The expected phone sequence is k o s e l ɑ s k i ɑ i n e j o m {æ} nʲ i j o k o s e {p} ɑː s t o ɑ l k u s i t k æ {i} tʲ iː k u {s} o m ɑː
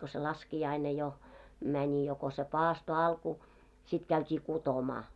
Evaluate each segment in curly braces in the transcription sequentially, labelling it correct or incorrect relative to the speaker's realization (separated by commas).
correct, correct, incorrect, incorrect